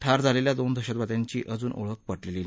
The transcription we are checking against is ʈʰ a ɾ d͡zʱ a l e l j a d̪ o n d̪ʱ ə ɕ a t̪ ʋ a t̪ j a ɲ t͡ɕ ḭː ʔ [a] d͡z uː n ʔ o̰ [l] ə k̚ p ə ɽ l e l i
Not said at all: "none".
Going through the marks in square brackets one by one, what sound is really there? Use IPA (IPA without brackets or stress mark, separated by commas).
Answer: ə, ɭ